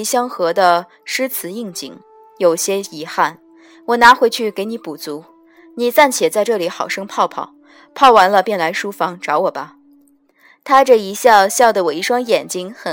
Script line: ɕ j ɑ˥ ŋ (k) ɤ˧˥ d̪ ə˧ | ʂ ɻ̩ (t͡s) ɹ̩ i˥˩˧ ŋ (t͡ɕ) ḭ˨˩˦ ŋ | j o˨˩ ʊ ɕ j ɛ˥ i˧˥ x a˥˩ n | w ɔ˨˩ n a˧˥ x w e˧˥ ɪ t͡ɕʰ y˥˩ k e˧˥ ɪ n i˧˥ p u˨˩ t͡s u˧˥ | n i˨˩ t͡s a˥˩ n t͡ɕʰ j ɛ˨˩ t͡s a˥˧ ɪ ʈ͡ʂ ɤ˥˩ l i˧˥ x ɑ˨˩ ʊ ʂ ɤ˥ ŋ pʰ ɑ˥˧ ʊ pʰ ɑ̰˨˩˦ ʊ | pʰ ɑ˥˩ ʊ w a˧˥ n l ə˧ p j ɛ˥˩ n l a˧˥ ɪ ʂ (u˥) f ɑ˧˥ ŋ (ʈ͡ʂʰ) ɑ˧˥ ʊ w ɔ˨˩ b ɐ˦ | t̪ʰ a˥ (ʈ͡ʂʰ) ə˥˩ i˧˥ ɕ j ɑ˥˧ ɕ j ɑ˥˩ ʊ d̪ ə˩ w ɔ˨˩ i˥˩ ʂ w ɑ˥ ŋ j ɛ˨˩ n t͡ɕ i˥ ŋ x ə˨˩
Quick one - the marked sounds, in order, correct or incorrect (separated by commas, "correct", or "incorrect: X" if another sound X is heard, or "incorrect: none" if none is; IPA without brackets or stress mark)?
incorrect: x, incorrect: t͡sʰ, correct, correct, incorrect: ʈ͡ʂ, incorrect: ʈ͡ʂ